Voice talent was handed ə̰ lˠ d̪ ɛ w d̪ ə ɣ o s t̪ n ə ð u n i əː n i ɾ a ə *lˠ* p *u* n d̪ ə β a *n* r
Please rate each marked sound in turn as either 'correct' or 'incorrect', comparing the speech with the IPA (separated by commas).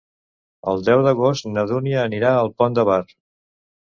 correct, incorrect, incorrect